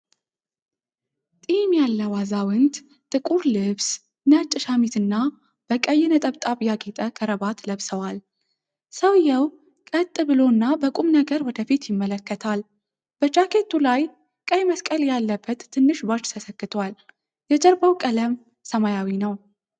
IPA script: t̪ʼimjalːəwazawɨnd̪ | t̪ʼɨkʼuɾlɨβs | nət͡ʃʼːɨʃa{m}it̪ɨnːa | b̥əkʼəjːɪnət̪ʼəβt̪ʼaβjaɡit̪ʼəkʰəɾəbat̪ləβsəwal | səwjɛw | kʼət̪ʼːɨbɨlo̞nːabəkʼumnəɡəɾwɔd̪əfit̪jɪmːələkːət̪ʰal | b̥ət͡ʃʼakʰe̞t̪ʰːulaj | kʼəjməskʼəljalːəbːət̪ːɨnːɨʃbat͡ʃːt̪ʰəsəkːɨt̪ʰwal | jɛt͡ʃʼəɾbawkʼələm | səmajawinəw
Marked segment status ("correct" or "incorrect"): correct